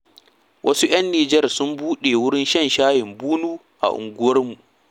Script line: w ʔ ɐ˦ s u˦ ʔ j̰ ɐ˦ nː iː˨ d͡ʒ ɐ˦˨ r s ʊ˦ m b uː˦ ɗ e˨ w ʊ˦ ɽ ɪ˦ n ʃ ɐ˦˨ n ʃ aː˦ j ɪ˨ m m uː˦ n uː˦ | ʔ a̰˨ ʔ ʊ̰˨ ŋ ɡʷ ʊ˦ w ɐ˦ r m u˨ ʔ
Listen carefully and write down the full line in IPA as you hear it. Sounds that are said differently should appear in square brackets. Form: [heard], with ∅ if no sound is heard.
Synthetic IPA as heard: w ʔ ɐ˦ s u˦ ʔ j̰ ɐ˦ nː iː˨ d͡ʒ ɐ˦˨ r s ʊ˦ m b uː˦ ɗ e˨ w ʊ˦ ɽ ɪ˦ n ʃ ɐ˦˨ n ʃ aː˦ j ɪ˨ m [b] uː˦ n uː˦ | ʔ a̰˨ ʔ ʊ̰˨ ŋ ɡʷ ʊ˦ w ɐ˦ r m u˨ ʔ